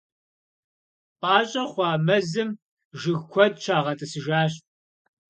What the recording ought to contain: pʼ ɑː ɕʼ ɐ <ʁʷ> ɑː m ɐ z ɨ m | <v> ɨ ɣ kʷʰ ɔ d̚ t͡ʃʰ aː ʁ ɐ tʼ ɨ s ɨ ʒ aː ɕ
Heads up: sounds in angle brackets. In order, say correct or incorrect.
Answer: incorrect: χʷ, incorrect: ʒ

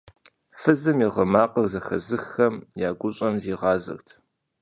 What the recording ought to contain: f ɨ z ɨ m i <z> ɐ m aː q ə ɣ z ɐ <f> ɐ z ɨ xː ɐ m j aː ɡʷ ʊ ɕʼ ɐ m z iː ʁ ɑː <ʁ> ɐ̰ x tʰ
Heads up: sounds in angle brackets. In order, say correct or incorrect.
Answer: incorrect: ʁ, incorrect: x, incorrect: z

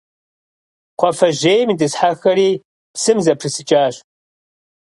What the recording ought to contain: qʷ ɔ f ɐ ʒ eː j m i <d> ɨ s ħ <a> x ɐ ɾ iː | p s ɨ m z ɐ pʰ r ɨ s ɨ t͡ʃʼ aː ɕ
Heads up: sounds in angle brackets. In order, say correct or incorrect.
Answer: correct, correct

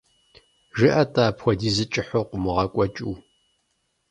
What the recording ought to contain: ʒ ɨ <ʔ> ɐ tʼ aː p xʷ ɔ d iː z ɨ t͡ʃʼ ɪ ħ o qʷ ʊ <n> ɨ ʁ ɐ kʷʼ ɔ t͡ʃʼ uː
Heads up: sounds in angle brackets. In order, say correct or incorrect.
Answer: correct, incorrect: m

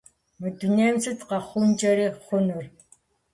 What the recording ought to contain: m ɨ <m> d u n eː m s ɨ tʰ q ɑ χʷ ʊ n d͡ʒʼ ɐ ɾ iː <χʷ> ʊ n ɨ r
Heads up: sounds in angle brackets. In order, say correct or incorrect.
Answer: incorrect: none, correct

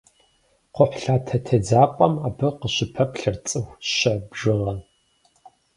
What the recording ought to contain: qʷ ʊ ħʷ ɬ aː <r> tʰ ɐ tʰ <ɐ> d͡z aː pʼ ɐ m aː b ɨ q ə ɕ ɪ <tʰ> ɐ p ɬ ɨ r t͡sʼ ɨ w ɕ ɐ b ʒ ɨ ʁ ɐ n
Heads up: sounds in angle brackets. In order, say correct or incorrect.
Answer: incorrect: none, correct, incorrect: pʰ

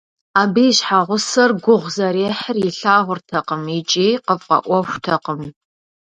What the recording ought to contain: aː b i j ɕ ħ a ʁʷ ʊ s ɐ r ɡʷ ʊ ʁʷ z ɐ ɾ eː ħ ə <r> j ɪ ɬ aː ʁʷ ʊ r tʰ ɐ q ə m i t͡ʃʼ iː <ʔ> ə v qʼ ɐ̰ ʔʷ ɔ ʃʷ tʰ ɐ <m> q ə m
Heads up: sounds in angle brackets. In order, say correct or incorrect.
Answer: correct, incorrect: q, incorrect: none

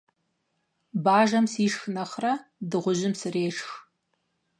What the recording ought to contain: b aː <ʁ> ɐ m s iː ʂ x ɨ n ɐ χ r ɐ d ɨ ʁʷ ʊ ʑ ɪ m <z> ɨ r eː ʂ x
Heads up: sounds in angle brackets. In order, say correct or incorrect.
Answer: incorrect: ʒ, incorrect: s

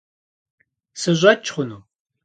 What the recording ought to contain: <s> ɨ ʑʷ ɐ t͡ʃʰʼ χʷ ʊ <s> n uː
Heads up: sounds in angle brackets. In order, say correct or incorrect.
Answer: correct, incorrect: none

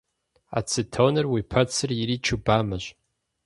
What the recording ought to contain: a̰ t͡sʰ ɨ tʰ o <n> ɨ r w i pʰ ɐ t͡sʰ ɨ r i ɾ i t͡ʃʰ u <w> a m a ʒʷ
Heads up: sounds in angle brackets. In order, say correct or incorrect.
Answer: correct, incorrect: b

